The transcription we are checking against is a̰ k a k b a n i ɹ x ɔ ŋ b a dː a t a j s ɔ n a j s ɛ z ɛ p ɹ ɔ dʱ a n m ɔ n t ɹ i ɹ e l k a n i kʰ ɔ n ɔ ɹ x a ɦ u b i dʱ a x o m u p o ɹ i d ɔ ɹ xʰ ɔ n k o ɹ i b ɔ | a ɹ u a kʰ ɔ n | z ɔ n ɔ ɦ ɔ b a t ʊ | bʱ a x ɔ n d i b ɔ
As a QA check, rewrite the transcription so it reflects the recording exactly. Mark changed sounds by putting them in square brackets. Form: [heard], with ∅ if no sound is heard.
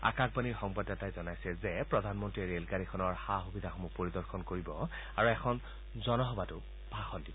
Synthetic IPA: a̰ k a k b a n i ɹ x ɔ ŋ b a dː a t a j [z] ɔ n a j s ɛ z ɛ p ɹ ɔ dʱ a n m ɔ n t ɹ i ɹ e l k a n i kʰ ɔ n ɔ ɹ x a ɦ u b i dʱ a x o m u p o ɹ i d ɔ ɹ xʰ ɔ n k o ɹ i b ɔ | a ɹ u [ɛ] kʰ ɔ n | z ɔ n ɔ ɦ ɔ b a t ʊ | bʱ a x ɔ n d i b ɔ